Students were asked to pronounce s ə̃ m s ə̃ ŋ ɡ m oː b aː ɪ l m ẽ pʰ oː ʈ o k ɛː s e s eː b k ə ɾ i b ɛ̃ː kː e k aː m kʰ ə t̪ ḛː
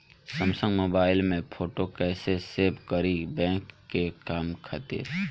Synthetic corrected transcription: s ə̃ m s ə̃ ŋ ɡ m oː b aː ɪ l m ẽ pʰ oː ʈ o k ɛː s e s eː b k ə ɾ i b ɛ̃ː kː e k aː m kʰ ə t̪ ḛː